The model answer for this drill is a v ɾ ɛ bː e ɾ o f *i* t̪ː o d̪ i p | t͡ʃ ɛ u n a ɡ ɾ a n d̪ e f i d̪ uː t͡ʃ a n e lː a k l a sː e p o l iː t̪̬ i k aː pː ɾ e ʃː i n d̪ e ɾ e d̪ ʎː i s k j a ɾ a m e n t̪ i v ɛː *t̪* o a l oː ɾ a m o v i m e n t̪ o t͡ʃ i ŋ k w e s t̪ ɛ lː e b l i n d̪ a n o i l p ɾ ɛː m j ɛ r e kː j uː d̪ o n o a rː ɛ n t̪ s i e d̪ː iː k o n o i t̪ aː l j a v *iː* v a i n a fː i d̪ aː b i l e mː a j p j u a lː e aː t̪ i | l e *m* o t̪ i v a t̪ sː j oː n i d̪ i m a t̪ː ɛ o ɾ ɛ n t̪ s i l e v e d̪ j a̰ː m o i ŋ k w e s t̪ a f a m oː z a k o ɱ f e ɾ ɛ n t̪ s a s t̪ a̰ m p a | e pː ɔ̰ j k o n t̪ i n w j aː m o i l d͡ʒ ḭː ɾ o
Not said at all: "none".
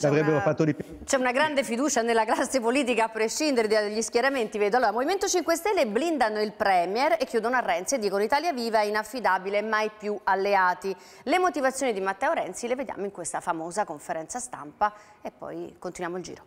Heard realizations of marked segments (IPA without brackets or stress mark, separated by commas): a, d̪, iː, m